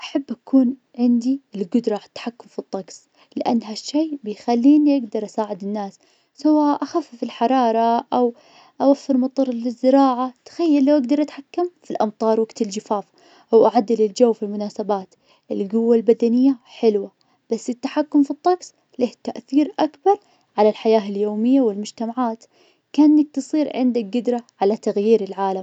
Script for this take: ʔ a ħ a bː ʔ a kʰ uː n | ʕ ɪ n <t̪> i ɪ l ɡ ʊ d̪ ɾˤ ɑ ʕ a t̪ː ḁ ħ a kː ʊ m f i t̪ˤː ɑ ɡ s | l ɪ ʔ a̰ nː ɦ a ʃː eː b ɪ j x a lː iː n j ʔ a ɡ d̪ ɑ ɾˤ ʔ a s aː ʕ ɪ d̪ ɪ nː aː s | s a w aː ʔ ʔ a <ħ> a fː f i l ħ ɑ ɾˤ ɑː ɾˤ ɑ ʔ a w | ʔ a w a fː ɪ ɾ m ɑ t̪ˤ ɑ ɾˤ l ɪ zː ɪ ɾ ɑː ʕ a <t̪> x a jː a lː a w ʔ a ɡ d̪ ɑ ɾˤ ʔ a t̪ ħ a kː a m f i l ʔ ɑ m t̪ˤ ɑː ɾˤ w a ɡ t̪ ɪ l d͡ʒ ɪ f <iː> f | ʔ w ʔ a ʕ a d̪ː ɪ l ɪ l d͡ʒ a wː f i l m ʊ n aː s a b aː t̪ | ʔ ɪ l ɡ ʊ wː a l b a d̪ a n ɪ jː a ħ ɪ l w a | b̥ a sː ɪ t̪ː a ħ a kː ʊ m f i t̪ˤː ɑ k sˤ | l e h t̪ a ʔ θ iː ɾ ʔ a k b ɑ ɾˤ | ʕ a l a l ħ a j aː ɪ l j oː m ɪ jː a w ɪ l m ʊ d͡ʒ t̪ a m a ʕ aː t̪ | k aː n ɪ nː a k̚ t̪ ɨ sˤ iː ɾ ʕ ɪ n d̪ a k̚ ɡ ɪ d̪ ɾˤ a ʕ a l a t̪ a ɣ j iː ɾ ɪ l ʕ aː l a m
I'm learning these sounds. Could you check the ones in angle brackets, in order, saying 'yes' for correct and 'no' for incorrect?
no, no, yes, no

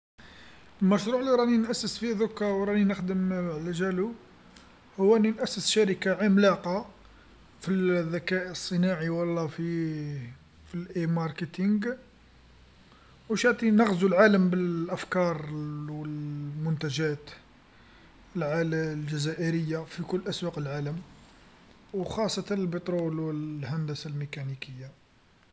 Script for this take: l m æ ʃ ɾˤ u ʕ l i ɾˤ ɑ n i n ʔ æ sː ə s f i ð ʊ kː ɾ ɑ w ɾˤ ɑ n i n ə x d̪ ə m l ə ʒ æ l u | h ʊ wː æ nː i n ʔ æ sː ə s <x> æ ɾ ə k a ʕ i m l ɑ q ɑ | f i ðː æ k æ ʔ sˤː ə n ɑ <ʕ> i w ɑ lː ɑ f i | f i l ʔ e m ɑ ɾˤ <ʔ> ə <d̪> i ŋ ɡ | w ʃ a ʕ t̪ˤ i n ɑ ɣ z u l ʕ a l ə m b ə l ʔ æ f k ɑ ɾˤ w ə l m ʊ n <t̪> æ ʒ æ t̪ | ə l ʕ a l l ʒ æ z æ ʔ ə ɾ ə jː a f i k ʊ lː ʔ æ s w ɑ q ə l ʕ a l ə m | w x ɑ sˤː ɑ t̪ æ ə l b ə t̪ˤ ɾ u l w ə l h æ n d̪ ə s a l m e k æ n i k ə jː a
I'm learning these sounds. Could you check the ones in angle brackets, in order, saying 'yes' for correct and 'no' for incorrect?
no, yes, no, no, yes

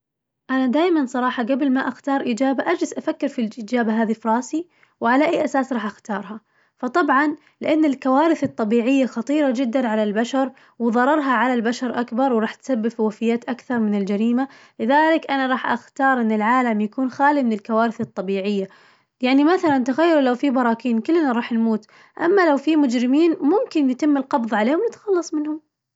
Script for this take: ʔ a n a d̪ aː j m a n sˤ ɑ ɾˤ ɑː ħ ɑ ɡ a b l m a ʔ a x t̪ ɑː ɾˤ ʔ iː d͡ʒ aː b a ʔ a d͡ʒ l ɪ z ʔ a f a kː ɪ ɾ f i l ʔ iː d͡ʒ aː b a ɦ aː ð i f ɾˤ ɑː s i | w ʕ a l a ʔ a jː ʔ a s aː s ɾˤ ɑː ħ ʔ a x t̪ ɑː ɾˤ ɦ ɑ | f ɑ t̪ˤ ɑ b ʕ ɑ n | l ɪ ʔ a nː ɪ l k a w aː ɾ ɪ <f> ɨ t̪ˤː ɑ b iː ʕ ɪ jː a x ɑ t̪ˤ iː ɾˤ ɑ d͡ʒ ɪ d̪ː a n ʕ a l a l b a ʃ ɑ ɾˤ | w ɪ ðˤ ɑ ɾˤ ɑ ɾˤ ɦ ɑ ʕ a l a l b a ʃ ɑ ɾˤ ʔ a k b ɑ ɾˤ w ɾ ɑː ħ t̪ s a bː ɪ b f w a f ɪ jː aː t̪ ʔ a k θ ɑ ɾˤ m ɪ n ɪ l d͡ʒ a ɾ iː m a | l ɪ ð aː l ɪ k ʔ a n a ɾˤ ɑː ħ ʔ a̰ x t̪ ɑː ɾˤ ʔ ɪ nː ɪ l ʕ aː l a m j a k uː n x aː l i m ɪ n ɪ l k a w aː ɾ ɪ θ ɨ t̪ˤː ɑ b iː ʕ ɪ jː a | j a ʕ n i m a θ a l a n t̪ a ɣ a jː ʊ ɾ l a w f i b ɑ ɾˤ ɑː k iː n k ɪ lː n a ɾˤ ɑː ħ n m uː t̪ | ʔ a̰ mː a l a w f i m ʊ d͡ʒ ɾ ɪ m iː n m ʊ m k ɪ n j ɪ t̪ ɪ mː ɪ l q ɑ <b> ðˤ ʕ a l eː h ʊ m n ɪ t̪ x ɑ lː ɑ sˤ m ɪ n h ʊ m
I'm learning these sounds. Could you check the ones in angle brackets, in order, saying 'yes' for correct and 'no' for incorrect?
no, yes

